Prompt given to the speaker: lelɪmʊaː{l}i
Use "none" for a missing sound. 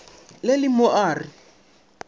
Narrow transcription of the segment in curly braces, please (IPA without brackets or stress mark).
r